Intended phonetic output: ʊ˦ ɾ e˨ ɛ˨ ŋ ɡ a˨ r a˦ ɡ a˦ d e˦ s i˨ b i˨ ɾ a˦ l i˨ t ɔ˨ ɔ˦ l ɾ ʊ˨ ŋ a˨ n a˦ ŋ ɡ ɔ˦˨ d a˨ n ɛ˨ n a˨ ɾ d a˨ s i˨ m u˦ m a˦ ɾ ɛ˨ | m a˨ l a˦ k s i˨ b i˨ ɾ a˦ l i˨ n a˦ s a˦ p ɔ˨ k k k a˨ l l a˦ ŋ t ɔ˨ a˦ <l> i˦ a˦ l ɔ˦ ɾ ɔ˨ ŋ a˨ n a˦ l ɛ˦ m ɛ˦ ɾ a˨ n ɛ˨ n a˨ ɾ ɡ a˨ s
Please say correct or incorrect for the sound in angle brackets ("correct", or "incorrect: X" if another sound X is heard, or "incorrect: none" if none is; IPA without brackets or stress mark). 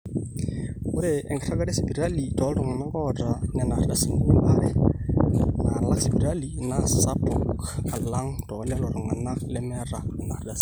correct